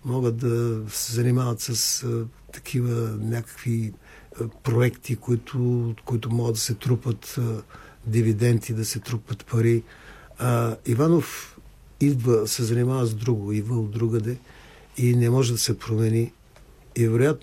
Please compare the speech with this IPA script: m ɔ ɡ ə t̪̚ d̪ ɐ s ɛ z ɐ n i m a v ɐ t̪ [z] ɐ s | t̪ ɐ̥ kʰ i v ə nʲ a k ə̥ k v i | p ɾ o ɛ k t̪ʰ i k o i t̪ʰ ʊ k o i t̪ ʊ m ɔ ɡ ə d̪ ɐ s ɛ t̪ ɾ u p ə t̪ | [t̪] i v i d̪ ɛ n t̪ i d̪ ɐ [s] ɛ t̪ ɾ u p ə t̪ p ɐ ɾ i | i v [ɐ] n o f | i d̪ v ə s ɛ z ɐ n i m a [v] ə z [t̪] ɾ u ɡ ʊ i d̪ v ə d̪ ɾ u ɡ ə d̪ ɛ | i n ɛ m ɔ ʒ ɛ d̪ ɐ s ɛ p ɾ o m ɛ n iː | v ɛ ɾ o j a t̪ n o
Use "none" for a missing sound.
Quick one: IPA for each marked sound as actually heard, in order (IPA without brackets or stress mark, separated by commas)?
s, d̪, s, a, v, d̪